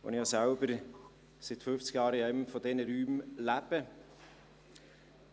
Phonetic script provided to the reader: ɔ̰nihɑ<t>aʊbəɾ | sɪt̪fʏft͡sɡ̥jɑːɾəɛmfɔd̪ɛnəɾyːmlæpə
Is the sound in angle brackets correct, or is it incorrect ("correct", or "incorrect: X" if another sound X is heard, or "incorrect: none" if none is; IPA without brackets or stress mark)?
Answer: incorrect: s